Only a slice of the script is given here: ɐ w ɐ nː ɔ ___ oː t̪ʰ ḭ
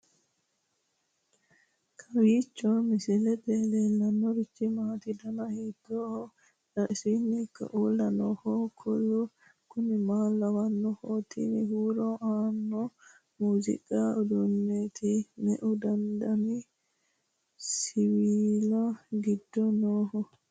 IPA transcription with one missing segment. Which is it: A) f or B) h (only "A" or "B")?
B